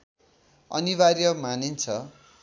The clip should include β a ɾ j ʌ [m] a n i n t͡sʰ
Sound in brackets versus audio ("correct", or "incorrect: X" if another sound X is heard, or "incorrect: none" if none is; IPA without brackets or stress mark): correct